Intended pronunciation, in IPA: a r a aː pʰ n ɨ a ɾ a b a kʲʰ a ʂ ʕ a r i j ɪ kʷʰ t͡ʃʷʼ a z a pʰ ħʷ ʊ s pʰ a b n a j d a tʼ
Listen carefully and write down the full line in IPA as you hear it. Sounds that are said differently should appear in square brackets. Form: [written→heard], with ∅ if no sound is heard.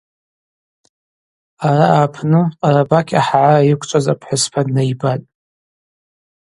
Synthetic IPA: a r a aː pʰ n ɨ a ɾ a b a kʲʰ a [ʂ→ħ] ʕ a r [i→a] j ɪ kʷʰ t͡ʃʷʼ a z a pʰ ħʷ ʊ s pʰ a [b→d] n a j [d→b] a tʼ